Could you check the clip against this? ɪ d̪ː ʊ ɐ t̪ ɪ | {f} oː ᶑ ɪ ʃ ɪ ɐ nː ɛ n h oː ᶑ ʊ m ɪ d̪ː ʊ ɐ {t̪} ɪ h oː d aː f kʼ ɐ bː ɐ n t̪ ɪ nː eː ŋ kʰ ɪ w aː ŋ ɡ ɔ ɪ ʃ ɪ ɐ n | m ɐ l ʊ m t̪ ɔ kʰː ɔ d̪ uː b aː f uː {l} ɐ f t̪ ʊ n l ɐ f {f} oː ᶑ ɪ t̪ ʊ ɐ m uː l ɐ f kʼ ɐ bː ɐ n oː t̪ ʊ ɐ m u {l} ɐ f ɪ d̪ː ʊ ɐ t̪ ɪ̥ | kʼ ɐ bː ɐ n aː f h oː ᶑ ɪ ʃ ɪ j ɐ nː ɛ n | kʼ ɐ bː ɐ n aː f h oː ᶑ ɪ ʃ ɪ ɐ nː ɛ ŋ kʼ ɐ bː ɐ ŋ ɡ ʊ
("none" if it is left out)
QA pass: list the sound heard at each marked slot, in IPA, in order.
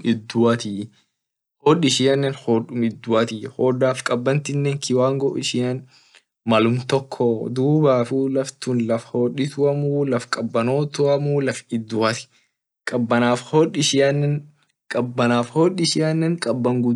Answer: h, t̪, l, h, l

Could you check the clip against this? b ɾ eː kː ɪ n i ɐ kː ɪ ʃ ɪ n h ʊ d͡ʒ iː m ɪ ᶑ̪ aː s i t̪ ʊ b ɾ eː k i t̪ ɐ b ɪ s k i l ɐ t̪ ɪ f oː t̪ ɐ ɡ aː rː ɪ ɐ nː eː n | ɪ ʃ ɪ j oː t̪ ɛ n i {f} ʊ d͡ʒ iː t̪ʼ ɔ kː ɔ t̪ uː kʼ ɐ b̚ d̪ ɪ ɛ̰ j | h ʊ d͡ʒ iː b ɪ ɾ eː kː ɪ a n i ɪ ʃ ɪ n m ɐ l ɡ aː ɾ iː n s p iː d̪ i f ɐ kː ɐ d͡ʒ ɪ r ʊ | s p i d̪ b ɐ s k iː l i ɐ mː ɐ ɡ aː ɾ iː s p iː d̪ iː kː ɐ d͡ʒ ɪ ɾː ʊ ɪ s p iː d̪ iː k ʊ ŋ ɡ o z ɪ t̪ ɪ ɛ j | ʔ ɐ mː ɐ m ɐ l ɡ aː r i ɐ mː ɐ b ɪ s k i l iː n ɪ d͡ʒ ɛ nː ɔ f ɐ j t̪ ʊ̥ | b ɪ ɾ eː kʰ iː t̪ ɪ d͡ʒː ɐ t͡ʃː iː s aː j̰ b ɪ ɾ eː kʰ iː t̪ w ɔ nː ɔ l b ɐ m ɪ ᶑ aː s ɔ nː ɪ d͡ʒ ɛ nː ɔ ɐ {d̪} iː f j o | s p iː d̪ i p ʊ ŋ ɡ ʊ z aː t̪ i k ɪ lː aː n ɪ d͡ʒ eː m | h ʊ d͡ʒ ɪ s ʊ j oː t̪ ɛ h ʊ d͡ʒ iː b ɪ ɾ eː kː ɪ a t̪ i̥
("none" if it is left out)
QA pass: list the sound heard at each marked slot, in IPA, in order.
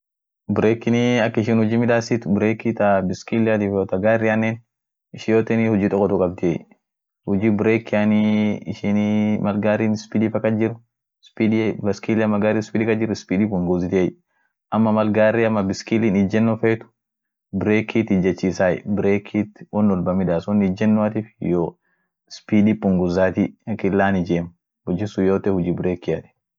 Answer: h, t̪

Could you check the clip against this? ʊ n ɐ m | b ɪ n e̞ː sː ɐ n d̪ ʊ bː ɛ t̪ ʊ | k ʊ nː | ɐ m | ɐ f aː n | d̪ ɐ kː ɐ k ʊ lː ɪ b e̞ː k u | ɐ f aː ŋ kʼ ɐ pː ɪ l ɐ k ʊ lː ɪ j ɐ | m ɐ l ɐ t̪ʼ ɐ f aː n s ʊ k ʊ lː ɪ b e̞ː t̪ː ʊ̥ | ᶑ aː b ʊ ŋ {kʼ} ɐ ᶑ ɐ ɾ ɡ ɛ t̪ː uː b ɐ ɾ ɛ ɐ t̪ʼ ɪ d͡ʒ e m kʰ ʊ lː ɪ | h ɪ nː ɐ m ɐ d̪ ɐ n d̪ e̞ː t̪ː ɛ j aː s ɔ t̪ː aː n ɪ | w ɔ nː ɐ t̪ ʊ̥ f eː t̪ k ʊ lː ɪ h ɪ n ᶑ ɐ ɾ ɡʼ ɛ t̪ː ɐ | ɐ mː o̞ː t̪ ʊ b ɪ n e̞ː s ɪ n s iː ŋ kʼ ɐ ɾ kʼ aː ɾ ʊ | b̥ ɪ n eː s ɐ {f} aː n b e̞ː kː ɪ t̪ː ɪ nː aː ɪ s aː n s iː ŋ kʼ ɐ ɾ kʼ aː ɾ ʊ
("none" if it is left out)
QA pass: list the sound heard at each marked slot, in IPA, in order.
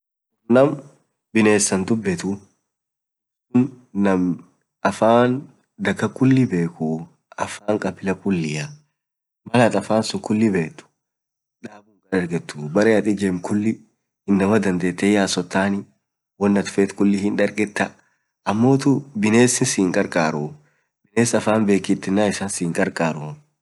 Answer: kʼ, f

